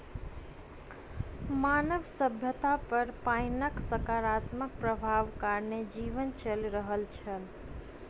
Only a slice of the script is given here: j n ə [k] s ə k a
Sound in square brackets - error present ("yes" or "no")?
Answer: no